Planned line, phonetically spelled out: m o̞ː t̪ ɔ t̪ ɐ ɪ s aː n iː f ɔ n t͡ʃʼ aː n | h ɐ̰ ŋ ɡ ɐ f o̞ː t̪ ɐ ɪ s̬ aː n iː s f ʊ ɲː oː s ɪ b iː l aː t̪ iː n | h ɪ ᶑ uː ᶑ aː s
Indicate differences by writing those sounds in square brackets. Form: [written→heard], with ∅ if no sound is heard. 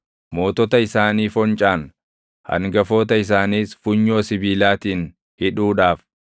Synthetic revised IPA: m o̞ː t̪ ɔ t̪ ɐ ɪ s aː n iː f ɔ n t͡ʃʼ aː n | h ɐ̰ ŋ ɡ ɐ f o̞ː t̪ ɐ ɪ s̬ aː n iː s f ʊ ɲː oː s ɪ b iː l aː t̪ iː n | h ɪ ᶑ uː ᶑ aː [s→f]

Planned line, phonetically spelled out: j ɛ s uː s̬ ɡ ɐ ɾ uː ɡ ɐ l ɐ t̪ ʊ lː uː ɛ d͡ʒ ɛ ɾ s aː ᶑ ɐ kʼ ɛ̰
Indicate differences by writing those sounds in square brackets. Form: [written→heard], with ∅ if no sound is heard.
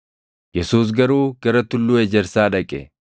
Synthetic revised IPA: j ɛ s uː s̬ ɡ ɐ ɾ uː ɡ ɐ [l→ɾ] ɐ t̪ ʊ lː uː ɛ d͡ʒ ɛ ɾ s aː ᶑ ɐ kʼ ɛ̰

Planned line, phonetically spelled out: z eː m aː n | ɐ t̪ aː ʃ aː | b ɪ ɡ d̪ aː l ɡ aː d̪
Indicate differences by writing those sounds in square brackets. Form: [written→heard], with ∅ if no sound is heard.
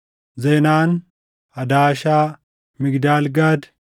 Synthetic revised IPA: z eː [m→n] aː n | ɐ [t̪→d̪] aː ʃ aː | [b→m] ɪ ɡ d̪ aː l ɡ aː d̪

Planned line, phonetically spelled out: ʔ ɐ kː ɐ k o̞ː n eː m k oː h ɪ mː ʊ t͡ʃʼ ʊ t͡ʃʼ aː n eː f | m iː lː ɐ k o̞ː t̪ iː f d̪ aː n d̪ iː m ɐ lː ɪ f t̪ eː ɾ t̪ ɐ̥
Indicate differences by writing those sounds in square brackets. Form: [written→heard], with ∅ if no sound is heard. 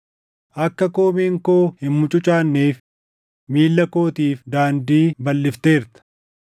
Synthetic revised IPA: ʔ ɐ kː ɐ k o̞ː [n→m] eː [m→ŋ] k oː h ɪ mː ʊ t͡ʃʼ ʊ t͡ʃʼ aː [n→nː] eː f | m iː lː ɐ k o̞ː t̪ iː f d̪ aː n d̪ iː [m→b] ɐ lː ɪ f t̪ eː ɾ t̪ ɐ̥

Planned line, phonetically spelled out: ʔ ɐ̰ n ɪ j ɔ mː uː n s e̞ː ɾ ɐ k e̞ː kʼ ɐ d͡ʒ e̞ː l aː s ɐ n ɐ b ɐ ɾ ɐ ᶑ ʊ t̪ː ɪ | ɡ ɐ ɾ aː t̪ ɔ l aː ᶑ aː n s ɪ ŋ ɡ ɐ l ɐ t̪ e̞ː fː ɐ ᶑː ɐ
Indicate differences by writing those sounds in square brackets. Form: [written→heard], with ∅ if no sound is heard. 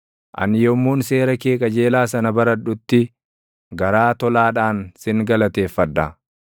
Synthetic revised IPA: ʔ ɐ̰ n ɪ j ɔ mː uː n s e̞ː ɾ ɐ k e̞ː kʼ ɐ d͡ʒ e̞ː l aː s ɐ n ɐ b ɐ ɾ ɐ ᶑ ʊ t̪ː ɪ | ɡ ɐ ɾ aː t̪ ɔ l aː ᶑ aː n s ɪ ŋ ɡ ɐ l ɐ t̪ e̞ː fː ɐ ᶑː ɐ

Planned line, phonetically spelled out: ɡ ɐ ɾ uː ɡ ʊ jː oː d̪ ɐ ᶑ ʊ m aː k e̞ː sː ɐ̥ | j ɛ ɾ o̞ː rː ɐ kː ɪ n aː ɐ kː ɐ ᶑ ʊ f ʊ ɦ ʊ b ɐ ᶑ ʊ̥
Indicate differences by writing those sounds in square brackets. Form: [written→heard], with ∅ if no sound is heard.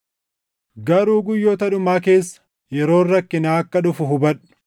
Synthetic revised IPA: ɡ ɐ ɾ uː ɡ ʊ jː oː [d̪→t̪] ɐ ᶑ ʊ m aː k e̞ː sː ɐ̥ | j ɛ ɾ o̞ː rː ɐ kː ɪ n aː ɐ kː ɐ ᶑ ʊ f ʊ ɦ ʊ b ɐ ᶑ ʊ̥

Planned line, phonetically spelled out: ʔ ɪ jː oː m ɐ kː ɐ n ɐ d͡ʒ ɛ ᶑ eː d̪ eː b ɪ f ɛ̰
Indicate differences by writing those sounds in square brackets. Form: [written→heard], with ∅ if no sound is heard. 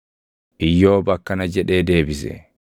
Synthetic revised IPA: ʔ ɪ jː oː [m→b] ɐ kː ɐ n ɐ d͡ʒ ɛ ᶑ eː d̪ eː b ɪ [f→s] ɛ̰

